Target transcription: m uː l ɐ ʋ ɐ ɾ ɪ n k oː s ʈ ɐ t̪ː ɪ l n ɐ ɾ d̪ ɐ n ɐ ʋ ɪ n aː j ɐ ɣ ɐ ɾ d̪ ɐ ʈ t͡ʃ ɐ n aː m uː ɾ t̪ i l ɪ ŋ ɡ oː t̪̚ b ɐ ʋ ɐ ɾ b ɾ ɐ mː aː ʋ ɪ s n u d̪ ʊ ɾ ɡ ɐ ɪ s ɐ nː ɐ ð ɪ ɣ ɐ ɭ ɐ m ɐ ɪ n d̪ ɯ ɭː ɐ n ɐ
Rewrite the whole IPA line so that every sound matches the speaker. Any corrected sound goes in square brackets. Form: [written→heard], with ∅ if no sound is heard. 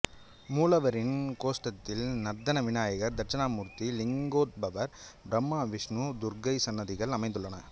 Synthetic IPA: m uː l ɐ ʋ ɐ ɾ ɪ n k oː s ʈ ɐ t̪ː ɪ l n ɐ ɾ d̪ ɐ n ɐ ʋ ɪ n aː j ɐ ɣ ɐ ɾ d̪ ɐ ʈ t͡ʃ ɐ n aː m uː ɾ t̪ i l ɪ ŋ ɡ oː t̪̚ b ɐ ʋ ɐ ɾ b ɾ ɐ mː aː ʋ ɪ [s→ʂ] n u d̪ ʊ ɾ ɡ ɐ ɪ s ɐ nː ɐ ð ɪ ɣ ɐ ɭ ɐ m ɐ ɪ n d̪ ɯ ɭː ɐ n ɐ